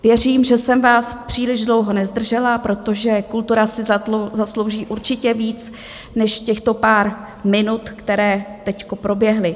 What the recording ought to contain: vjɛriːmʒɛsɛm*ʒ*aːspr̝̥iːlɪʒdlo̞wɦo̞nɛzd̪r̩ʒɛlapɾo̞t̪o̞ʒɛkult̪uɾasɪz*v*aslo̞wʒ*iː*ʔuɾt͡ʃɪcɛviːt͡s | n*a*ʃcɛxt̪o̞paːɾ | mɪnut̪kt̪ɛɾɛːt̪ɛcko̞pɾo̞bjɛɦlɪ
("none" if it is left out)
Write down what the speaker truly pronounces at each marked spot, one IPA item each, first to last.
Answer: v, z, iː, ɛ

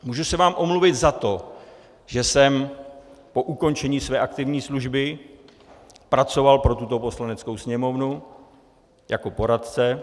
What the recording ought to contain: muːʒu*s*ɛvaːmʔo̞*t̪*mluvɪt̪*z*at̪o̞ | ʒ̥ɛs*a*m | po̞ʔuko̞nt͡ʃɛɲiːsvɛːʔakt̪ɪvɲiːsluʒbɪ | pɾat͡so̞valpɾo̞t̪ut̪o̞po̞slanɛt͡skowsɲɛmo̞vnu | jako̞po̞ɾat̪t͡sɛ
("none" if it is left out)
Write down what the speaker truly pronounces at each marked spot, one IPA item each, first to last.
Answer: s, none, z, ɛ

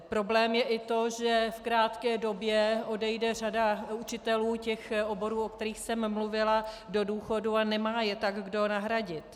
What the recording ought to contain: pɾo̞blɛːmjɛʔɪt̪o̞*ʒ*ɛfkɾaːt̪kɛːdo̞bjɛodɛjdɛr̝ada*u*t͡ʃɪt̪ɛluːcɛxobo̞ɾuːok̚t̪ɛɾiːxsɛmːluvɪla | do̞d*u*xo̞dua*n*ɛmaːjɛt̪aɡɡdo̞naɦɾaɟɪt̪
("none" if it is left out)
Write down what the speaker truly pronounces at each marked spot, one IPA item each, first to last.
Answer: ʒ, u, uː, n

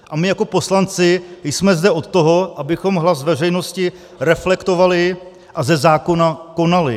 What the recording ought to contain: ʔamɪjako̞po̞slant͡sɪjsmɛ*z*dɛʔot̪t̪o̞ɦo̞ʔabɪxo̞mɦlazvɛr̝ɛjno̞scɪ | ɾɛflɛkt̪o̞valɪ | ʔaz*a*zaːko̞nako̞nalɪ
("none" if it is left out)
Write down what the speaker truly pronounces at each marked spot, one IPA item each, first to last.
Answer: z, ɛ

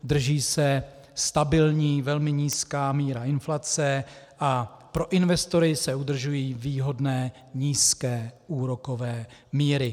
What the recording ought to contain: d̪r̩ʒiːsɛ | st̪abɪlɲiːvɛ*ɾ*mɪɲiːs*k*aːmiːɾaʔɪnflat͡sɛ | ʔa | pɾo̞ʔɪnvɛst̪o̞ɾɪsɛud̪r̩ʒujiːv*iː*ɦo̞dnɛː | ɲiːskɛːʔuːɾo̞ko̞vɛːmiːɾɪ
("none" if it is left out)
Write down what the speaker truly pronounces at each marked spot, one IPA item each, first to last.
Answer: l, k, iː

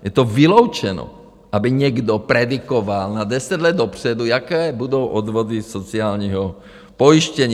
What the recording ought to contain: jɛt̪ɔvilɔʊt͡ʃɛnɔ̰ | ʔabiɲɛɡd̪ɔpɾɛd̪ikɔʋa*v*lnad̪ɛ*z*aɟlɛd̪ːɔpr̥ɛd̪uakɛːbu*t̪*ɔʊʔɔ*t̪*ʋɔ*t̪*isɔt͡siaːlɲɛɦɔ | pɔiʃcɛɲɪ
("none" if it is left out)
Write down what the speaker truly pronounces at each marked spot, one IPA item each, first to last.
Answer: none, s, d̪, d̪, d̪

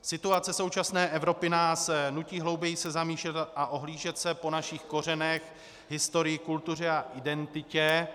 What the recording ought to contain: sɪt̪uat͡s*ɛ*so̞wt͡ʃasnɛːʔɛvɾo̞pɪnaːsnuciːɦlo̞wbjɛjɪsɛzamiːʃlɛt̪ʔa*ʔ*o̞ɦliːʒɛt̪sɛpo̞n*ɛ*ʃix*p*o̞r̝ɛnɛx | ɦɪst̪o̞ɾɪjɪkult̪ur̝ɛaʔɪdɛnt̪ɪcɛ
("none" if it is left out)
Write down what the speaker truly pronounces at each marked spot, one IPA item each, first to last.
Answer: ɛ, ʔ, a, k

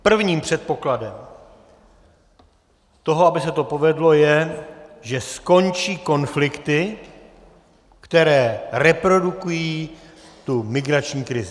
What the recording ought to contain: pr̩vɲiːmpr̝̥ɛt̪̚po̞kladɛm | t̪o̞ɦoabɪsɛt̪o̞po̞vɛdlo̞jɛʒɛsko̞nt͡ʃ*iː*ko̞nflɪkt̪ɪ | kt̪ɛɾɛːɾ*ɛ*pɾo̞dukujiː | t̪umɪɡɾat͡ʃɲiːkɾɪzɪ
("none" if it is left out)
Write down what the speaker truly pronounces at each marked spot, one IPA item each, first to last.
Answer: iː, ɛ

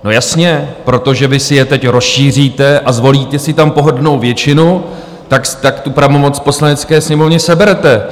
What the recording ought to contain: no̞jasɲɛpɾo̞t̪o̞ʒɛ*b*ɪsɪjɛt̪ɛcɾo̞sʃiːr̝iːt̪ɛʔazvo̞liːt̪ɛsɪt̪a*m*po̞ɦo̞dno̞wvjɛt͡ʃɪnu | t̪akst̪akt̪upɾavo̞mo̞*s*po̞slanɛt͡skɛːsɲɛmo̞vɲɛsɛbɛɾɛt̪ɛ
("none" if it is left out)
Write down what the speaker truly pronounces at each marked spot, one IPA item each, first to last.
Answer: v, m, t͡s

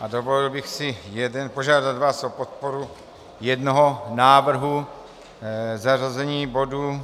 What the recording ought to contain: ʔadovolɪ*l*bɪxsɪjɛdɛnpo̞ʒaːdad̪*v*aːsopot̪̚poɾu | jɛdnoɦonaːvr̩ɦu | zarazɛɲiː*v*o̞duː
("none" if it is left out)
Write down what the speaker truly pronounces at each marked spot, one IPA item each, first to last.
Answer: l, v, b

